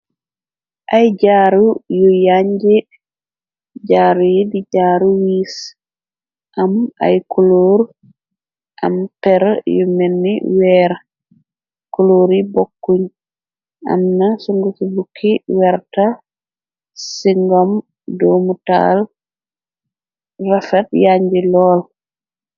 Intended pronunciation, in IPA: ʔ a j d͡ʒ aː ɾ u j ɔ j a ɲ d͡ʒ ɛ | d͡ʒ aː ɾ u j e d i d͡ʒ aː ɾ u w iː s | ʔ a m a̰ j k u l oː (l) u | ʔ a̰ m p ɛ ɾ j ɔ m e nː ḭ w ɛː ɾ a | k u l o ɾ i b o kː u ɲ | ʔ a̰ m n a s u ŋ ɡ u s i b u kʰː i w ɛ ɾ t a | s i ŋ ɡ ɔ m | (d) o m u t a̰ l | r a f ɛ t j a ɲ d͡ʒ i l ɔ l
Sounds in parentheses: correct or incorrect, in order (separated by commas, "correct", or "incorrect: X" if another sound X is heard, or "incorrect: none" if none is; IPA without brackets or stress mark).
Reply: incorrect: ɾ, correct